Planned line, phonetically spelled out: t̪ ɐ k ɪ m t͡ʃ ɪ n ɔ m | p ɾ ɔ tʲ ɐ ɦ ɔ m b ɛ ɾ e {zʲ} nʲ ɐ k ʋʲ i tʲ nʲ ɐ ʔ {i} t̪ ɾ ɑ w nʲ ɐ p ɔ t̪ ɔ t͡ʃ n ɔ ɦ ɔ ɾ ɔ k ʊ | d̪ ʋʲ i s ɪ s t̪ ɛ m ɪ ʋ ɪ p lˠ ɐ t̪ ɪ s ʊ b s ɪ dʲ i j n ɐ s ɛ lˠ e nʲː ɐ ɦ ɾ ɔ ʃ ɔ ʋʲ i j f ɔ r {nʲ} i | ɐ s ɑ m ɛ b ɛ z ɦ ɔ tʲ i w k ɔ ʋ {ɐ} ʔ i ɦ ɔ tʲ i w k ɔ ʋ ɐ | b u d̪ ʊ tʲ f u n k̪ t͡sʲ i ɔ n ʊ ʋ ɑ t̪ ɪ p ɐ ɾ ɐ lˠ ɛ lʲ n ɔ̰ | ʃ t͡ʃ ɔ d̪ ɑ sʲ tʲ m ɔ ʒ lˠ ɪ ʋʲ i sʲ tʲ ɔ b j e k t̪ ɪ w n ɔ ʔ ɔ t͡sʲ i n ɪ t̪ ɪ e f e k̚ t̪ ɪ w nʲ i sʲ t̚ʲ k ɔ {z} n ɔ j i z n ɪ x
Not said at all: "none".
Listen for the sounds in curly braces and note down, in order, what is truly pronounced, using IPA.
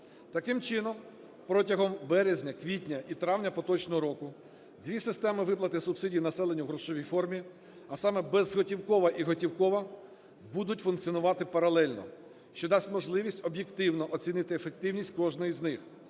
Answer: zʲ, i, mʲ, ɐ, ʒ

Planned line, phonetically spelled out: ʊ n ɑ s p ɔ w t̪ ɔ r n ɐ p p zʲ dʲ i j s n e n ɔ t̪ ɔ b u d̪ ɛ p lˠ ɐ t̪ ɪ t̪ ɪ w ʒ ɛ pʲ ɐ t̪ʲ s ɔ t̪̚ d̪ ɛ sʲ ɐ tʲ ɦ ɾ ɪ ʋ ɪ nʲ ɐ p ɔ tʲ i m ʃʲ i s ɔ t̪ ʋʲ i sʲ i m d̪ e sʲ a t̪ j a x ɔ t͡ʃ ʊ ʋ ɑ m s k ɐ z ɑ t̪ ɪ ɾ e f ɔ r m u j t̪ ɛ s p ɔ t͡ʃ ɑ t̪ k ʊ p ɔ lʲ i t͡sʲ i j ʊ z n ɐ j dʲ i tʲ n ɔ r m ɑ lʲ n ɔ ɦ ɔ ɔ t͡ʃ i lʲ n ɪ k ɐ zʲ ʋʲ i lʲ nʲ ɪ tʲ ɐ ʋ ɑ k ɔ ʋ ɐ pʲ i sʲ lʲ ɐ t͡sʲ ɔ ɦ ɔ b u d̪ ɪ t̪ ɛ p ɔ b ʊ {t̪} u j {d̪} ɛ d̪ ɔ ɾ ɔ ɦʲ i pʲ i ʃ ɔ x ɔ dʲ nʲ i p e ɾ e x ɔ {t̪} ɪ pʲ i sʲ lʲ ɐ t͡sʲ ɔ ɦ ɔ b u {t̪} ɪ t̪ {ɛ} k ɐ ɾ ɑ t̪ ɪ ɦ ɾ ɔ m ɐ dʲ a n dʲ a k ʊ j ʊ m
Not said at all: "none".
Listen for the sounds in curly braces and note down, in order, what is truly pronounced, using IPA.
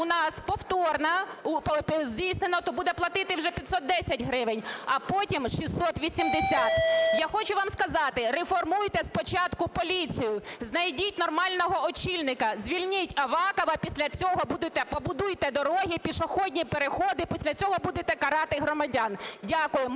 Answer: d̪, t̪, d̪, d̪, ɛ

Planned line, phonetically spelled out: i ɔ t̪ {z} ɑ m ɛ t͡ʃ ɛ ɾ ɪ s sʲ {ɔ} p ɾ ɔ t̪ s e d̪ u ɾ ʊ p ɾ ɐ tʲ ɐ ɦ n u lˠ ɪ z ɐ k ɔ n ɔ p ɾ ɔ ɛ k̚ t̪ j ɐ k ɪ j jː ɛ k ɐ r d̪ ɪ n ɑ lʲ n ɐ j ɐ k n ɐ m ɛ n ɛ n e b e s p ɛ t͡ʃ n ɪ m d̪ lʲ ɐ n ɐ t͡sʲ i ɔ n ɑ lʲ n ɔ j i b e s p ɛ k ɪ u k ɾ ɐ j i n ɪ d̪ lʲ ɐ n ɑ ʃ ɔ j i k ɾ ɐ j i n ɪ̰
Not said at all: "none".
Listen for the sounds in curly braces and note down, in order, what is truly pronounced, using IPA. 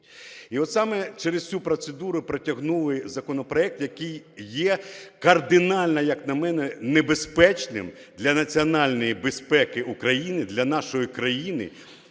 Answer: s, u

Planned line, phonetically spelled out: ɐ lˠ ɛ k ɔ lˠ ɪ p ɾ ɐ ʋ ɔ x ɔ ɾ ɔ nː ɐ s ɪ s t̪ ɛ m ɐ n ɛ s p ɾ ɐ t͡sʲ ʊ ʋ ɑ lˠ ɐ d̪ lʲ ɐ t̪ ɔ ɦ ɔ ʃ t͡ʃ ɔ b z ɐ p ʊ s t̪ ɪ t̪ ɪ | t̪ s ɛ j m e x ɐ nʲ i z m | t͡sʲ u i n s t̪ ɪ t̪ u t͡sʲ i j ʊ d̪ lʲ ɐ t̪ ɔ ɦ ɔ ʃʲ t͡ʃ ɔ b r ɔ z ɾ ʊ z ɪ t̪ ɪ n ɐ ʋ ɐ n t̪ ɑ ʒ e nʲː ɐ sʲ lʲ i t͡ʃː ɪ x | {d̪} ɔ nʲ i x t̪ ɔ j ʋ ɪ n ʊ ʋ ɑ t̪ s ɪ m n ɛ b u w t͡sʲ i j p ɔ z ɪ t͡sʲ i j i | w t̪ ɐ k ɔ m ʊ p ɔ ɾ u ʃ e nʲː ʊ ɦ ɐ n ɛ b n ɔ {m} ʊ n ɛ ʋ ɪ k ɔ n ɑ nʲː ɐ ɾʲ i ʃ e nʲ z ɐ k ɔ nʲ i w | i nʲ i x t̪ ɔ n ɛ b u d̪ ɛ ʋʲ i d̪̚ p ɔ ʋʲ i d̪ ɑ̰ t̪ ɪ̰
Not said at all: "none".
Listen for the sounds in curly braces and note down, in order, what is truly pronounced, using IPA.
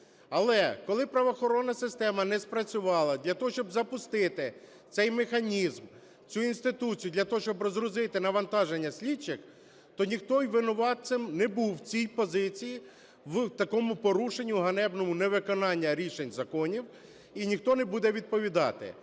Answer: t̪, m

